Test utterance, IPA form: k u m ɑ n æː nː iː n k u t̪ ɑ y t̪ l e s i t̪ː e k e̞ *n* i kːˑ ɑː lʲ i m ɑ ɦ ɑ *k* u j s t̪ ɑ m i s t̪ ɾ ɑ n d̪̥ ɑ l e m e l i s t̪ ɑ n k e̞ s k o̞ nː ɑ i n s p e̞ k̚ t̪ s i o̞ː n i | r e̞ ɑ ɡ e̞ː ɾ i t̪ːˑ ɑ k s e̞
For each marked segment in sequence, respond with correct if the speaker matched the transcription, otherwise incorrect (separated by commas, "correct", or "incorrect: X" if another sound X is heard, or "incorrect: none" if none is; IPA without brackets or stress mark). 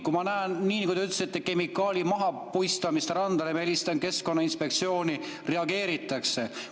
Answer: incorrect: m, incorrect: p